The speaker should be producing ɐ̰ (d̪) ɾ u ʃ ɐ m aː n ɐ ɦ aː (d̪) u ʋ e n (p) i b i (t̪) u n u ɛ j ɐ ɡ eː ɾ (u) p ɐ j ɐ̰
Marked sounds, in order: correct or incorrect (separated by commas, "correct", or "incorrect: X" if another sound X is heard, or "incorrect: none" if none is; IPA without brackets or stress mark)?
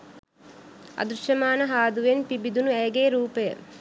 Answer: correct, correct, correct, incorrect: d̪, incorrect: uː